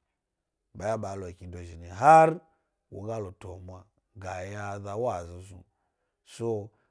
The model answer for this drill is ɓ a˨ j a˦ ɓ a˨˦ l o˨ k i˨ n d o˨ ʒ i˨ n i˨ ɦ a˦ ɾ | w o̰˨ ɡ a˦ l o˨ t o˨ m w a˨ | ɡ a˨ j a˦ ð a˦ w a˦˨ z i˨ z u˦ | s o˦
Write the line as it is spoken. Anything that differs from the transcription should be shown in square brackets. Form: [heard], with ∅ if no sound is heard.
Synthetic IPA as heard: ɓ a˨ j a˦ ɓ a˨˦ l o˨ k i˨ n d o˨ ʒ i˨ n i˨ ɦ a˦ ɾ | w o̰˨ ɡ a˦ l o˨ t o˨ m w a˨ | ɡ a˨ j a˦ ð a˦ w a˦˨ z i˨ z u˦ | s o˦